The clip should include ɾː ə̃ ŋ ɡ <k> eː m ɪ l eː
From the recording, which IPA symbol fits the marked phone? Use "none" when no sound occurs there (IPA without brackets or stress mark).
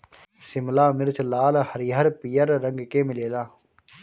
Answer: k